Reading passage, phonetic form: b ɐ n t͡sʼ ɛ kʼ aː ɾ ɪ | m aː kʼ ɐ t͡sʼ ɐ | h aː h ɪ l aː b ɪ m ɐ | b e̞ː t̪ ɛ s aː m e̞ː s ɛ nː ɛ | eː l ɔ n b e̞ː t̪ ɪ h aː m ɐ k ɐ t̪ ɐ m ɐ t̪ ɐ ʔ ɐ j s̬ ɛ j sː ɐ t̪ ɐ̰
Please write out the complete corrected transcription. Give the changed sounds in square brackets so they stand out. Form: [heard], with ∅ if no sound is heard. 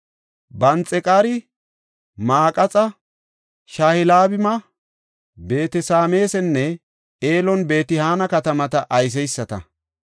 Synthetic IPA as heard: b ɐ n t͡sʼ ɛ kʼ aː ɾ ɪ | m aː kʼ ɐ t͡sʼ ɐ | [ʃ] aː h ɪ l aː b ɪ m ɐ | b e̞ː t̪ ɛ s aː m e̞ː s ɛ nː ɛ | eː l ɔ n b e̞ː t̪ ɪ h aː [n] ɐ k ɐ t̪ ɐ m ɐ t̪ ɐ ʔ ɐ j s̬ ɛ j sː ɐ t̪ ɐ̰